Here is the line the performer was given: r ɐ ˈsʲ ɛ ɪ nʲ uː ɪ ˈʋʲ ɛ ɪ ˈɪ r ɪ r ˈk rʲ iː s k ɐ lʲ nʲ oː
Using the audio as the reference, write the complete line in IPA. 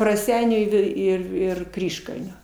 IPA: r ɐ ˈsʲ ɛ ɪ nʲ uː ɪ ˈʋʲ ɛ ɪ ˈɪ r ɪ r ˈk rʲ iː ʃ k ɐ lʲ nʲ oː